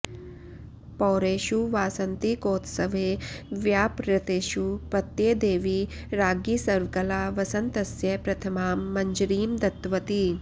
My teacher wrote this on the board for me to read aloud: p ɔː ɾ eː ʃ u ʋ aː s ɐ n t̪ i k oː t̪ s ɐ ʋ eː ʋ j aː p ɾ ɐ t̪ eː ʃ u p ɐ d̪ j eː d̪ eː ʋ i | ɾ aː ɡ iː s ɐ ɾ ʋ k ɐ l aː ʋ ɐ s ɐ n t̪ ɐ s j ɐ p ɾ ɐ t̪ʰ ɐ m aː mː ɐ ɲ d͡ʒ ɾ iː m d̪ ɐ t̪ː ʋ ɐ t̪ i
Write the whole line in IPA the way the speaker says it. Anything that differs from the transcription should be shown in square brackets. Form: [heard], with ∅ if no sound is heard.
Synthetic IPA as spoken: p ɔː ɾ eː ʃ u ʋ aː s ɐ n t̪ i k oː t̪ s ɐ ʋ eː ʋ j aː p ɾ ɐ t̪ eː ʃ u p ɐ [t̪] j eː d̪ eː ʋ i | ɾ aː ɡ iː s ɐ ɾ ʋ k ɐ l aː ʋ ɐ s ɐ n t̪ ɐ s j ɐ p ɾ ɐ t̪ʰ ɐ m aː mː ɐ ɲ d͡ʒ ɾ iː m d̪ ɐ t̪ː ʋ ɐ t̪ i

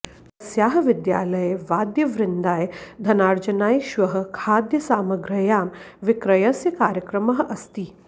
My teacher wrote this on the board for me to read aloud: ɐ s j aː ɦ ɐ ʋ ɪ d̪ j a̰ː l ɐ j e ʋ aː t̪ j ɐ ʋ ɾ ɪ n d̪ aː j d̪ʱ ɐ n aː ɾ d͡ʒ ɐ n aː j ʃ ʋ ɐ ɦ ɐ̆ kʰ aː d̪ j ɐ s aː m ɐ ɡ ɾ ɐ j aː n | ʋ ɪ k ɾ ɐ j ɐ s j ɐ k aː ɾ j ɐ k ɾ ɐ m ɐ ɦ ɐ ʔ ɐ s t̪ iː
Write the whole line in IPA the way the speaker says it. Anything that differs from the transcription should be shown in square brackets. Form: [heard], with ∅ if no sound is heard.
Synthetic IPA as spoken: ɐ s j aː ɦ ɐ ʋ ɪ d̪ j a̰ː l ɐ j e ʋ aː [d̪] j ɐ ʋ ɾ ɪ n d̪ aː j d̪ʱ ɐ n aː ɾ d͡ʒ ɐ n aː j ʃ ʋ ɐ ɦ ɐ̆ kʰ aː d̪ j ɐ s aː m ɐ ɡ ɾ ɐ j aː [m] | ʋ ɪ k ɾ ɐ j ɐ s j ɐ k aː ɾ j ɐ k ɾ ɐ m ɐ ɦ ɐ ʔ ɐ s t̪ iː

